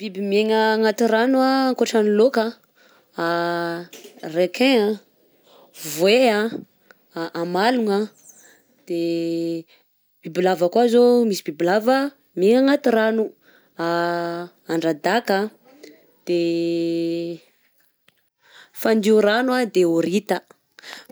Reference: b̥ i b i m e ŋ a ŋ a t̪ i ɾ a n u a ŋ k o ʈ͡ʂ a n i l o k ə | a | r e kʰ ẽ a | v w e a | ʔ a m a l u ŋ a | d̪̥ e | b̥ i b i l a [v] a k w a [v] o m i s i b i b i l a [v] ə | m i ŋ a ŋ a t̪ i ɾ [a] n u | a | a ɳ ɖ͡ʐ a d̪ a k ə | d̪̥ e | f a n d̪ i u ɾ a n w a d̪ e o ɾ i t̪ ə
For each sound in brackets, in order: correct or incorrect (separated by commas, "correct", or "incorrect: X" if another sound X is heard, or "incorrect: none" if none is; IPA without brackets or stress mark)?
correct, incorrect: z, correct, correct